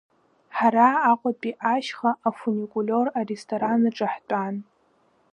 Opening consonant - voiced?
no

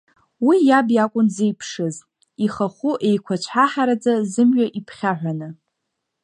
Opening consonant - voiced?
yes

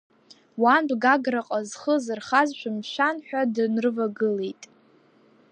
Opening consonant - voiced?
yes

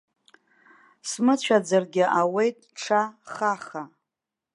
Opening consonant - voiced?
no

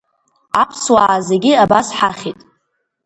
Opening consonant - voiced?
no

